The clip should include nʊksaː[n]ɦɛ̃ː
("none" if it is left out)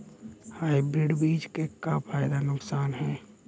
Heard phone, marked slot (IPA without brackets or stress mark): n